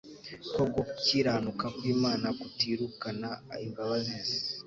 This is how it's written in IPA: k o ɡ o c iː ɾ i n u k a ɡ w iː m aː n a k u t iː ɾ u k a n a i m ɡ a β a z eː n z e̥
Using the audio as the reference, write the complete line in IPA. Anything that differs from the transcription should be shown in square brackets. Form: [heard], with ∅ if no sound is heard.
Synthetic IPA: k o ɡ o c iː ɾ [a] n u k a [k] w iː m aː n a k u t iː ɾ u k a n a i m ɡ a β a z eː n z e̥

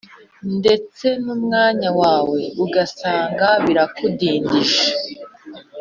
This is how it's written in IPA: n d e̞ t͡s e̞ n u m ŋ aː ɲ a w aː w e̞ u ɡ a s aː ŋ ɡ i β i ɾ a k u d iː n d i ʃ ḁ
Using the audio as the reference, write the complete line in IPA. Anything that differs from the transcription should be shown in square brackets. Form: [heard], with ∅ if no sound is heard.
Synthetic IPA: n d e̞ t͡s e̞ n u m ŋ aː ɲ a w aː w e̞ u ɡ a s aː ŋ ɡ [a] β i ɾ a k u d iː n d i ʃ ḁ

